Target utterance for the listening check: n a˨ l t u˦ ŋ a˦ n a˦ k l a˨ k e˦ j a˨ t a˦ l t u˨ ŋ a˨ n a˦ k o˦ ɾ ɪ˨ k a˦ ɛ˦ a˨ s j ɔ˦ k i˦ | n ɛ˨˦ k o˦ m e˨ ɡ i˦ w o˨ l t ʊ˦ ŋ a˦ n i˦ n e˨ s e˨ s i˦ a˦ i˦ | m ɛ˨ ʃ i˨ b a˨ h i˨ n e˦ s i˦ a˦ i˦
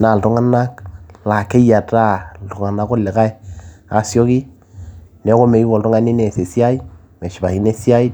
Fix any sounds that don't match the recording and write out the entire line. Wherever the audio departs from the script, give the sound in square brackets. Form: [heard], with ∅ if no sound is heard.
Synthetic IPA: n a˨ l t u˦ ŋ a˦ n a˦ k l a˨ k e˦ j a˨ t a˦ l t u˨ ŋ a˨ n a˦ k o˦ [l] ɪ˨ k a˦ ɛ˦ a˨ s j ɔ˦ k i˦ | n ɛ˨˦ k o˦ m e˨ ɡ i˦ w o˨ l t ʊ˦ ŋ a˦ n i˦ n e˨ s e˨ s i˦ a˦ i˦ | m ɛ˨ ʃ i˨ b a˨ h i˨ n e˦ s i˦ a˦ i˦

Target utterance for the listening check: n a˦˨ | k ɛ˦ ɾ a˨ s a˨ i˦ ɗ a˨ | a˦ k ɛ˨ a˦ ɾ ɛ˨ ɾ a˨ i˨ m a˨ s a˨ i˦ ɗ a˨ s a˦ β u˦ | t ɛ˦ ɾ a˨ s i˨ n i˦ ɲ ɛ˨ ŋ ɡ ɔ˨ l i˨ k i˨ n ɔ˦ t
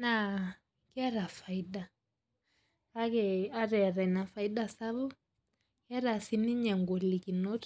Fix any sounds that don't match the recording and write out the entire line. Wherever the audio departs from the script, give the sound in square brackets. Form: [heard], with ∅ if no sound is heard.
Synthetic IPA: n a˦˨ | k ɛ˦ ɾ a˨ [f] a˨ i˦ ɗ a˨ | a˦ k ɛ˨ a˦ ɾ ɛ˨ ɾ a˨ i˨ [n] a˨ [f] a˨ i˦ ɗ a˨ s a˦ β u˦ | [k] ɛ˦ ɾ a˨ s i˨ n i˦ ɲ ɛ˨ ŋ ɡ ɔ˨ l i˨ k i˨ n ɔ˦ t

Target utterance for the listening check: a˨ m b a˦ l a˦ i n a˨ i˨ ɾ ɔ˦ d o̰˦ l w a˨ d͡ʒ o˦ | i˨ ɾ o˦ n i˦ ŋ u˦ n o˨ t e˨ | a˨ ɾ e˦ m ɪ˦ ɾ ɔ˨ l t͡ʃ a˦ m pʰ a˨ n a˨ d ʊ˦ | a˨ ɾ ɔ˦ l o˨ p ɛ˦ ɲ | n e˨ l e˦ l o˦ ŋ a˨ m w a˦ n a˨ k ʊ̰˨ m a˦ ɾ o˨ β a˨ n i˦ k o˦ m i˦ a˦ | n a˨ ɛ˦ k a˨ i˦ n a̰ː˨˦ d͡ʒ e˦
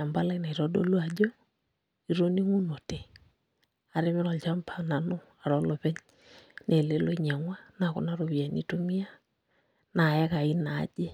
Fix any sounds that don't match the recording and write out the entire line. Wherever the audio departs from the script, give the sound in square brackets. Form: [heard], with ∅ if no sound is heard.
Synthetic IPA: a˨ m b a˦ l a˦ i n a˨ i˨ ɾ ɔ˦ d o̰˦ l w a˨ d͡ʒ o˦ | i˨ ɾ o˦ n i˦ ŋ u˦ n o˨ t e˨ | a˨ ɾ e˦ m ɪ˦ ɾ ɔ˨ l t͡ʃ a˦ m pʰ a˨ n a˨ [n] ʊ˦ | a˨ ɾ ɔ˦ l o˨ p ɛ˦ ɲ | n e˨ l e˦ l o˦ [ɲ] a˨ [ŋ] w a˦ n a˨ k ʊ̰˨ [n] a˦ ɾ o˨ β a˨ n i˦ [t] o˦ m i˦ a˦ | n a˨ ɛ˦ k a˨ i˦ n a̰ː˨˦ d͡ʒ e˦

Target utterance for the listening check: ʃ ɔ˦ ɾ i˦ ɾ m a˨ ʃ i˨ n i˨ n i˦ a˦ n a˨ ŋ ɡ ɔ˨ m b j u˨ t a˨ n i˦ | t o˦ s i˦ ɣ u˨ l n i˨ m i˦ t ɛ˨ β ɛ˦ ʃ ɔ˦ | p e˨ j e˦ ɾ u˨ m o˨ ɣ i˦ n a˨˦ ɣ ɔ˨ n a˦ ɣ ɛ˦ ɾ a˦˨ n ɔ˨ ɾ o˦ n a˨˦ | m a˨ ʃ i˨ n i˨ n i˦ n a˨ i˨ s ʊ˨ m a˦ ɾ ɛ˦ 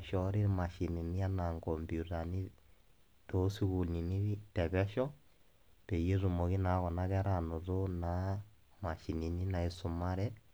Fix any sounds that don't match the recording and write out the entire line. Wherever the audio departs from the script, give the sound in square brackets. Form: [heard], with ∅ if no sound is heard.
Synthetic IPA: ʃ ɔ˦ ɾ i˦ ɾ m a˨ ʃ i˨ n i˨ n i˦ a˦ n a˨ ŋ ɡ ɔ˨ m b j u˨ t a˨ n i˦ | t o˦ s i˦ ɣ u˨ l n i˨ [n] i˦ t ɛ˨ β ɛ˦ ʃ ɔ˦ | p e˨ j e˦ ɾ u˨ m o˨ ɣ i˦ n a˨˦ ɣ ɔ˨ n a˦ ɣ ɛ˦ ɾ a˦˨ n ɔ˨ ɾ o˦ n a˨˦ | m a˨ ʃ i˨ n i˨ n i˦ n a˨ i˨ s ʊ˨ m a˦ ɾ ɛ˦

